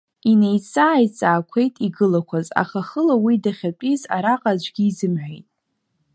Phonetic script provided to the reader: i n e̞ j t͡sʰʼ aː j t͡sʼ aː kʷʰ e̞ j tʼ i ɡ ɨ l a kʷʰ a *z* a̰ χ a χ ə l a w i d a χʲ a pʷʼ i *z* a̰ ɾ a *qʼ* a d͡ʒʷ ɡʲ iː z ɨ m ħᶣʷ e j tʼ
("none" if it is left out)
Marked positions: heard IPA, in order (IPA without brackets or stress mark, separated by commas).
z, z, qʼ